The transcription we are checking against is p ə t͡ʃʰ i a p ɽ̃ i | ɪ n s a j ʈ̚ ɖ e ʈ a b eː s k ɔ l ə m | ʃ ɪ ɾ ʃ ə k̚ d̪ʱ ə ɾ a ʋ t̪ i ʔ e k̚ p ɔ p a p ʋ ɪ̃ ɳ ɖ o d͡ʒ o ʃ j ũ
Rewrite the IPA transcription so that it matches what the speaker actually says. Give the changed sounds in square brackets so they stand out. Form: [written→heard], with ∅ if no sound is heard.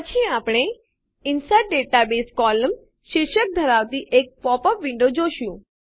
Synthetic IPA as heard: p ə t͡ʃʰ i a p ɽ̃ [i→e] | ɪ n s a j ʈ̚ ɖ e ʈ a b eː s k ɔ l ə m | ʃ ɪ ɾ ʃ ə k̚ d̪ʱ ə ɾ a ʋ t̪ i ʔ e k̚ p ɔ p [a→ə] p ʋ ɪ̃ ɳ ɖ o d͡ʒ o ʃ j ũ